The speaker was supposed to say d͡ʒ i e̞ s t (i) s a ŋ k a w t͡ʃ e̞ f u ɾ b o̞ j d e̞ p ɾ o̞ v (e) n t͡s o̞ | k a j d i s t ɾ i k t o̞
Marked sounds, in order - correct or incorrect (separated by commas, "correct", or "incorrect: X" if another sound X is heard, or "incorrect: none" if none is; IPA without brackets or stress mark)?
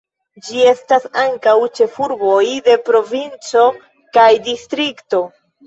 incorrect: a, incorrect: i